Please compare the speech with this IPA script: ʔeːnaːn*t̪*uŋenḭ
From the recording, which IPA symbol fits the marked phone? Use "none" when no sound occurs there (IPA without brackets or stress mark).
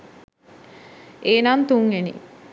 t̪